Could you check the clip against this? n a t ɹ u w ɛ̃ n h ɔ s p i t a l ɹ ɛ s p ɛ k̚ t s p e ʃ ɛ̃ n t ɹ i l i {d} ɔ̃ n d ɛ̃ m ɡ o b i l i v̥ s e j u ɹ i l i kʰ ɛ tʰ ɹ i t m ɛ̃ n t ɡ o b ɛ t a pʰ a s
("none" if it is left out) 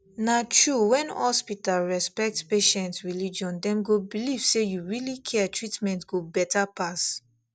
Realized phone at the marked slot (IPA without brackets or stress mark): d͡ʒ